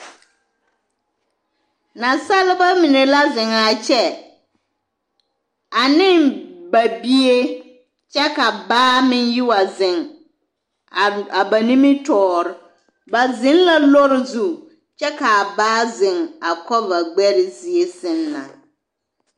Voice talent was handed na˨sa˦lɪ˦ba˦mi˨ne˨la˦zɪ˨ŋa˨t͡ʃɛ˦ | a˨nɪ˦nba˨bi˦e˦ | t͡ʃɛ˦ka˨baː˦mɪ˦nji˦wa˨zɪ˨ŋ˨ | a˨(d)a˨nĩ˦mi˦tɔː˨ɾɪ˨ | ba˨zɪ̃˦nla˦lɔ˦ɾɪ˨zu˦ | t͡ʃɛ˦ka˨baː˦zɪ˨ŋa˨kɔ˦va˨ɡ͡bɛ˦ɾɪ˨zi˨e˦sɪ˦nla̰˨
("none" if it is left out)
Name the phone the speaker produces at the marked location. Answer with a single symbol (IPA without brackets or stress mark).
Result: b